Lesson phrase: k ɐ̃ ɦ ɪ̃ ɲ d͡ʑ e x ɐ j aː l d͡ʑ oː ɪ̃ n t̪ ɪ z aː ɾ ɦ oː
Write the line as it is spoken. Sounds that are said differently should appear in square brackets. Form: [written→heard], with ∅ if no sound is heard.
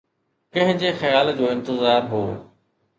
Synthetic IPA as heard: k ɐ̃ ɦ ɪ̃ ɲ d͡ʑ e x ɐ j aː l d͡ʑ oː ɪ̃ n t̪ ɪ z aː ɾ ɦ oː